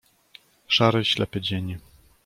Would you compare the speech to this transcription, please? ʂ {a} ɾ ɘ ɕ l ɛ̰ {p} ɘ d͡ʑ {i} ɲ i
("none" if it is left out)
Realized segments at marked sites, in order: a, p, e

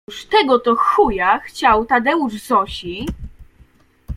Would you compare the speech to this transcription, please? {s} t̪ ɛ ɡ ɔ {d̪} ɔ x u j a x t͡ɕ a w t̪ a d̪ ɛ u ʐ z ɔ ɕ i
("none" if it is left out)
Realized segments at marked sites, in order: ʂ, t̪

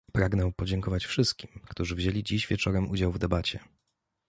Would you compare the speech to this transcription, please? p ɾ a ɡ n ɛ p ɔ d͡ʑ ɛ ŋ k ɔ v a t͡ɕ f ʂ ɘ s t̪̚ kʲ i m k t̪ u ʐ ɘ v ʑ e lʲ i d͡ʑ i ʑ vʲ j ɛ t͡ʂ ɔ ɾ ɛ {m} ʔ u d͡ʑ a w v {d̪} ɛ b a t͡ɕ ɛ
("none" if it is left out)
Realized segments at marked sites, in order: m, d̪

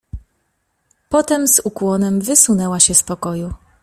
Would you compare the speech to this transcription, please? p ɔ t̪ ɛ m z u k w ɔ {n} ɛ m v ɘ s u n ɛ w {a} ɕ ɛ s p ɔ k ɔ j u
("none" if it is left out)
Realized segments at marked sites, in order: n, a

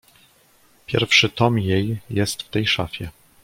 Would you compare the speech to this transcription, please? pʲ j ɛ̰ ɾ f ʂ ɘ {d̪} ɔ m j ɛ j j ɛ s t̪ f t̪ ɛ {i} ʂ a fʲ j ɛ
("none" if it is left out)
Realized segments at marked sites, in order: t̪, j

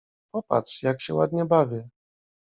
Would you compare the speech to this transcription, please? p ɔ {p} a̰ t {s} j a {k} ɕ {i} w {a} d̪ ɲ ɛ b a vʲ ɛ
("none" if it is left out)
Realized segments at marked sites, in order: p, ʂ, k, ɛ, a

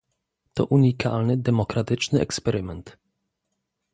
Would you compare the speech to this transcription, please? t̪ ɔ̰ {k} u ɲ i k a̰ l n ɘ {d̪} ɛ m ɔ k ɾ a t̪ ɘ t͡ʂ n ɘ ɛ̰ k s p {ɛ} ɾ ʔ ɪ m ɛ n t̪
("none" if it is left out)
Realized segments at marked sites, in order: ʔ, d̪, ɛ

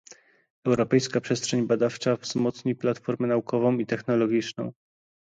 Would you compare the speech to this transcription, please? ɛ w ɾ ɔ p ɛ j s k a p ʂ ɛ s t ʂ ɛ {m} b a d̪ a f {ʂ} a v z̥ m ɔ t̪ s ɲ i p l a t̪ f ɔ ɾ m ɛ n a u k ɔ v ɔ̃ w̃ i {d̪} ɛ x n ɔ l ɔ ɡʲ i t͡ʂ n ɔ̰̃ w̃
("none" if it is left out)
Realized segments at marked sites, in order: ɲ, t͡ʂ, t̪

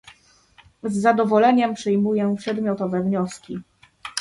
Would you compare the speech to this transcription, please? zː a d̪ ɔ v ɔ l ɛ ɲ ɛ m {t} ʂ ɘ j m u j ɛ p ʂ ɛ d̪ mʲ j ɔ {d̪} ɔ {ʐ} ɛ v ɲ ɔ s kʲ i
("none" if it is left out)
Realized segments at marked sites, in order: p, t̪, v

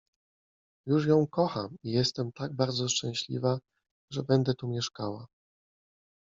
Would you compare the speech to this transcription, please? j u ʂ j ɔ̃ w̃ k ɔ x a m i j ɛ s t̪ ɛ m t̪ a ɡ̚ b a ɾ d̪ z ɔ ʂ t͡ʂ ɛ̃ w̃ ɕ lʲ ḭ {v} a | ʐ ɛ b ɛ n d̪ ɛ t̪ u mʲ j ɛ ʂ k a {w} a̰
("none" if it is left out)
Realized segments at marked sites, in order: v, w

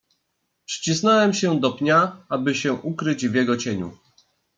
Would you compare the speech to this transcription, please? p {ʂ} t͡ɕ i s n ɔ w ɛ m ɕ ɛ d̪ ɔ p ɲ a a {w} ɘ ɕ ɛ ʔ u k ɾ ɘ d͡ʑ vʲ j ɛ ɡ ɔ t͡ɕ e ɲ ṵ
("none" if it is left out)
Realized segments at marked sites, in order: ʂ, b

